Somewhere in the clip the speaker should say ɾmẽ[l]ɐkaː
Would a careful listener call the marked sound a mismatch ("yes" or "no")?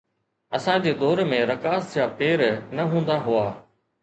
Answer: yes